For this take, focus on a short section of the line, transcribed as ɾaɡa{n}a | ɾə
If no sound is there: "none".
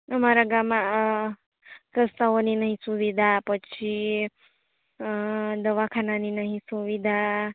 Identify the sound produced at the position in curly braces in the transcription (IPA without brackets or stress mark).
m